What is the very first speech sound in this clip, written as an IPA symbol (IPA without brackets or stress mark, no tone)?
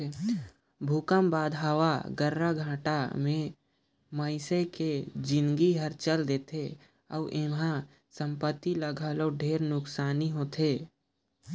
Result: bʱ